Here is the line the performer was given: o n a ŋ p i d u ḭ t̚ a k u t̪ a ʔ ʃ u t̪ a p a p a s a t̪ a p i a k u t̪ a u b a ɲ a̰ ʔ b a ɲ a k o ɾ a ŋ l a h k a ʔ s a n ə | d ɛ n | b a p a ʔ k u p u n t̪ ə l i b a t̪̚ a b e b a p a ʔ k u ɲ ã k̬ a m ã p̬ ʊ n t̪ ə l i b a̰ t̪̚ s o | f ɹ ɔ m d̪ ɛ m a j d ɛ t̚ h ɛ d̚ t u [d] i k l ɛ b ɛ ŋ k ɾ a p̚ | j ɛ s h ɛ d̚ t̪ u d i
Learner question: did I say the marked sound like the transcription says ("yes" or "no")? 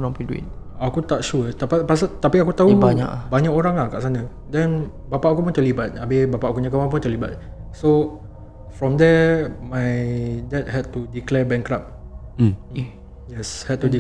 yes